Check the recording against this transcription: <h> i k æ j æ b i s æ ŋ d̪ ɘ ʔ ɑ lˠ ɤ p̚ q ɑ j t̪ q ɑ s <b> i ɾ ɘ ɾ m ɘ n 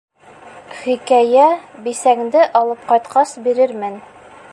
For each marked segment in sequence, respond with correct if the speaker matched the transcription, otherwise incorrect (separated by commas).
incorrect, correct